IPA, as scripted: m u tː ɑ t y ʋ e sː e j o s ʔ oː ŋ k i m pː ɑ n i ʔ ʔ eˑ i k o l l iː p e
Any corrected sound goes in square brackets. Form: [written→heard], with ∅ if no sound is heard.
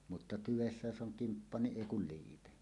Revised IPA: m u tː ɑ t y ʋ e sː [e→æ] j o s ʔ [oː→o] ŋ k i m pː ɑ n i ʔ ʔ eˑ i k [o→u] l l iː p e